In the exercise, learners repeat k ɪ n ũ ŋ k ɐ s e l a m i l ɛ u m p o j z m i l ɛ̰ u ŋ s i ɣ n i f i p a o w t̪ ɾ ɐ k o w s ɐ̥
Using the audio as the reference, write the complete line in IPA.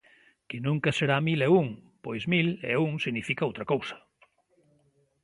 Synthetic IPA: k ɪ n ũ ŋ k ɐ s e ɾ a m i l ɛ u ŋ p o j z m i l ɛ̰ u ŋ s i ɣ n i f i k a o w t̪ ɾ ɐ k o w s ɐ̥